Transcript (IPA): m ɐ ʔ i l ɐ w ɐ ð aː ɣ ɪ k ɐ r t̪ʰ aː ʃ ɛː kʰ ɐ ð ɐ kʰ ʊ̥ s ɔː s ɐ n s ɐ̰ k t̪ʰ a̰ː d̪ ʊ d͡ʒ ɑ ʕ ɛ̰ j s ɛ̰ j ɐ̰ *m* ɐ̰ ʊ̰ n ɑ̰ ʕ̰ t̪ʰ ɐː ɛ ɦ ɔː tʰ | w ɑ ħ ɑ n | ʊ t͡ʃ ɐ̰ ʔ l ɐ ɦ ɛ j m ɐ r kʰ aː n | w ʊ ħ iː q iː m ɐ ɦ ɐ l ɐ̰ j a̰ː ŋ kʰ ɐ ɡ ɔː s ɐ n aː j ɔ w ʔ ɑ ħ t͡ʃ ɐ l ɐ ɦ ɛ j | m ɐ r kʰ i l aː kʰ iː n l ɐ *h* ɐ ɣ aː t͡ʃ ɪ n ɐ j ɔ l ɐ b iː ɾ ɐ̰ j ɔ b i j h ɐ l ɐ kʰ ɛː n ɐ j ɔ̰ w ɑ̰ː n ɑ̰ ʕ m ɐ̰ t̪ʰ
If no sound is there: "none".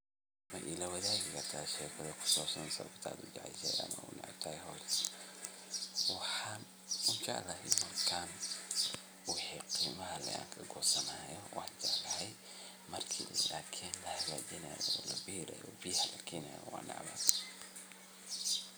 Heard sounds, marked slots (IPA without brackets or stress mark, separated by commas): m, h